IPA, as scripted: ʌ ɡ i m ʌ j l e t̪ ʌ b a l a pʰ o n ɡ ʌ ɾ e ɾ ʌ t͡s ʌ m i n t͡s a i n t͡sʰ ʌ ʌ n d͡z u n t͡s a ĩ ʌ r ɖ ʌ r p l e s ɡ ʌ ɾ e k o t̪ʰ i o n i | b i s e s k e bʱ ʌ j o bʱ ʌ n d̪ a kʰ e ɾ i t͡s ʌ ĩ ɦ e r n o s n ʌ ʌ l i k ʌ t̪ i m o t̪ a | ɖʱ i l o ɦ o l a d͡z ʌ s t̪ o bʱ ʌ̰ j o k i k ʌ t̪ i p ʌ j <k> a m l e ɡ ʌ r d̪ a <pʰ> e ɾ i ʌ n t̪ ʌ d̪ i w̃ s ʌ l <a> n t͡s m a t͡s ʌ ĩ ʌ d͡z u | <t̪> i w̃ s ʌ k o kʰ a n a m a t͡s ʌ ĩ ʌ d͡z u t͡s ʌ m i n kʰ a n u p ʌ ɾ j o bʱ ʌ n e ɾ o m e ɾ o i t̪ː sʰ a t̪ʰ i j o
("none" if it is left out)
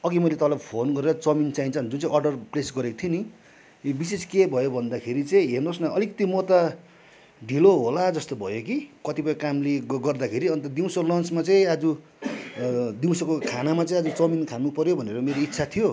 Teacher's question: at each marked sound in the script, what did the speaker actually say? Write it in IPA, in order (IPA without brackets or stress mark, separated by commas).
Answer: k, kʰ, ʌ, d̪